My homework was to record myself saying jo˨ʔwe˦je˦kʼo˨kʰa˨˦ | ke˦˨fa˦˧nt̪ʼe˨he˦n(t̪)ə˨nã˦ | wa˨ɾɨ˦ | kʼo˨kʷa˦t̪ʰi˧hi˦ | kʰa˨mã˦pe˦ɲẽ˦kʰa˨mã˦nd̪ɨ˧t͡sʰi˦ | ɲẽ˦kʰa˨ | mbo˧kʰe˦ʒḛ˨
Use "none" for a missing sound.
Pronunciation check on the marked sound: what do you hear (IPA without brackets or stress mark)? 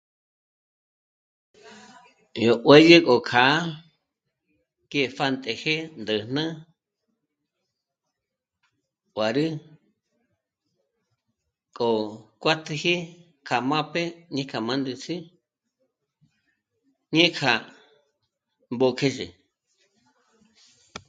d̪